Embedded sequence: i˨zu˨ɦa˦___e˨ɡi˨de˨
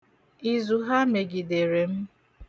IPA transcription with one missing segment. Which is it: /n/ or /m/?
m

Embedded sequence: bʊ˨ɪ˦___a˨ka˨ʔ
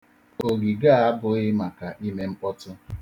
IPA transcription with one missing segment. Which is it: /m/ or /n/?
m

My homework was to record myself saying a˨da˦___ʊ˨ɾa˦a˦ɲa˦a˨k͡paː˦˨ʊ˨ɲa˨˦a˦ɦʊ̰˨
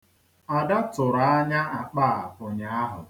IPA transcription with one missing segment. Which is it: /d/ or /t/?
t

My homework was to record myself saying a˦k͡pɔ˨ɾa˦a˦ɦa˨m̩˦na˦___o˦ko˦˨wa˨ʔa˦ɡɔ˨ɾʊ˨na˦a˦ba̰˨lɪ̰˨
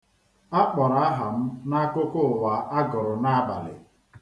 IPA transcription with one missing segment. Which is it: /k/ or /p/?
k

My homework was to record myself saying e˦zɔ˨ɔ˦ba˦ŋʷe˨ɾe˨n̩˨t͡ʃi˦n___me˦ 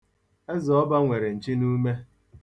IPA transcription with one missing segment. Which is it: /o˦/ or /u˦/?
u˦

